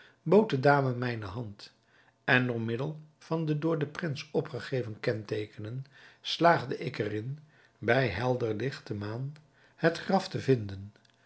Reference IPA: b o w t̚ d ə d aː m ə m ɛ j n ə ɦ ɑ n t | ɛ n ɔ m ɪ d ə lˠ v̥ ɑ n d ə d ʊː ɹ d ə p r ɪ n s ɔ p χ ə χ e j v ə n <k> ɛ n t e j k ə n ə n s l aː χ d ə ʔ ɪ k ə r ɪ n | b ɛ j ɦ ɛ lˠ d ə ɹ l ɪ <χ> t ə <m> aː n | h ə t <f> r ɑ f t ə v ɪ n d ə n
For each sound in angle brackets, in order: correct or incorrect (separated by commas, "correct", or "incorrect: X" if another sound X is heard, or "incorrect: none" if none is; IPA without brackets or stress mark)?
correct, correct, correct, incorrect: χ